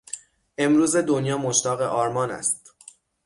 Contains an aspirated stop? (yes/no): no